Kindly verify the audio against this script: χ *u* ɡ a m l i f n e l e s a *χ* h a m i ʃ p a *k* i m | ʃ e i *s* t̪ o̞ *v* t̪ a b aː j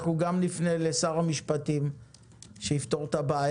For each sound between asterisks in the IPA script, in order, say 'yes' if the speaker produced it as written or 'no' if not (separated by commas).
yes, no, no, no, no